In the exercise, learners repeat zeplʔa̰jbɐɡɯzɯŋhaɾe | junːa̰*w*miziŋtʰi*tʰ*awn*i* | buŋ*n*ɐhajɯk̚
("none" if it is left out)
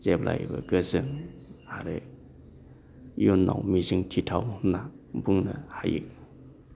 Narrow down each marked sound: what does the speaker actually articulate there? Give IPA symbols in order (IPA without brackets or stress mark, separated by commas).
w, tʰ, a, n